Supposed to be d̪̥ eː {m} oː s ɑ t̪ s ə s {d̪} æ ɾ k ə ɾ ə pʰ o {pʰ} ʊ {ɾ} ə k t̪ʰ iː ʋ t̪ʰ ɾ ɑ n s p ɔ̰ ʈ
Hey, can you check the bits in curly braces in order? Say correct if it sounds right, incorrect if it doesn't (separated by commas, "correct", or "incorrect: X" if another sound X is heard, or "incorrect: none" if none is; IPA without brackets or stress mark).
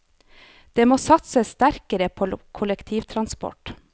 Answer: correct, incorrect: t̪, incorrect: kʰ, incorrect: l